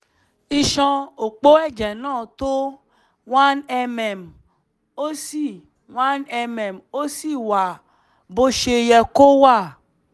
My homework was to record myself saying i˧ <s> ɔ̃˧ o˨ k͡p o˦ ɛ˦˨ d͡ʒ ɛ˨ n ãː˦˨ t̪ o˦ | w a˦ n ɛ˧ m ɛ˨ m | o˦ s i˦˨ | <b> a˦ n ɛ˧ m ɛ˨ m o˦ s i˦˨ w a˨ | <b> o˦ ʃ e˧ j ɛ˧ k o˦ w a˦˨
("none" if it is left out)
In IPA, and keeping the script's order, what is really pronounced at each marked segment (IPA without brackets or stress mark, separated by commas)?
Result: ʃ, w, b